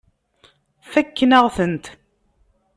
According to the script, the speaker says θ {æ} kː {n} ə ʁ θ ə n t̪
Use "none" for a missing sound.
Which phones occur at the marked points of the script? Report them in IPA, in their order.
æ, n

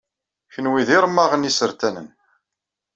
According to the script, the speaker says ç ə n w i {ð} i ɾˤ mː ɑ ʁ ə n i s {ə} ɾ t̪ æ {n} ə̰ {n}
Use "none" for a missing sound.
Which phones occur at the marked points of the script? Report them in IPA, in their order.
ð, ə, n, n

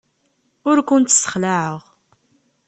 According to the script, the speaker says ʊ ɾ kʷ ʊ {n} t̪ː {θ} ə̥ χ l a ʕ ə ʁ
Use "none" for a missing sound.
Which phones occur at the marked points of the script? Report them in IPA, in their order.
n, s

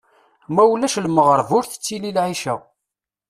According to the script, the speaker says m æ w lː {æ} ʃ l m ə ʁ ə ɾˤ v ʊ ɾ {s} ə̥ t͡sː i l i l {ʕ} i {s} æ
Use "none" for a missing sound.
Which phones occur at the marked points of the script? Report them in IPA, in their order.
æ, θ, ʕ, ʃ

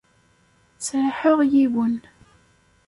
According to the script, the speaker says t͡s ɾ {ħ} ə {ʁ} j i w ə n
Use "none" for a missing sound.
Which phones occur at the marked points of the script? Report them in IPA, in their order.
ħ, ʁ

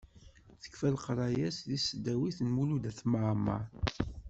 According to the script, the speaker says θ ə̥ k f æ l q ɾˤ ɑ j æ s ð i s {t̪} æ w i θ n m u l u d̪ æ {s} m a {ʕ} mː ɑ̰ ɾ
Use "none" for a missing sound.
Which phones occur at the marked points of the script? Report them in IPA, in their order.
d̪, θ, ʕ

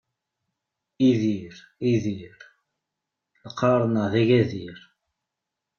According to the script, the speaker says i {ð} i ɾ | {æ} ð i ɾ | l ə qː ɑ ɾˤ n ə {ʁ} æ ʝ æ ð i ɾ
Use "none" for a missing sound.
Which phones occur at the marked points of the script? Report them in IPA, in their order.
ð, i, ð

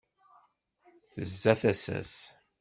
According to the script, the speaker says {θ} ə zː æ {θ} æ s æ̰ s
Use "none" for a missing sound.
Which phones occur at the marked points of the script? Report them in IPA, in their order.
θ, θ

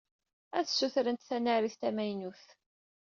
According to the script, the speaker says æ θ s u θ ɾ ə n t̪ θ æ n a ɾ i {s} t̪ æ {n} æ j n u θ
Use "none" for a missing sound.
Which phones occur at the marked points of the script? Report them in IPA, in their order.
θ, m

